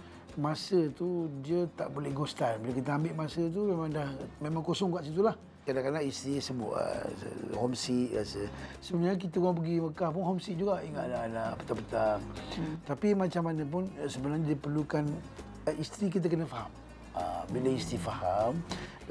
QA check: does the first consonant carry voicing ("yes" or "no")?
yes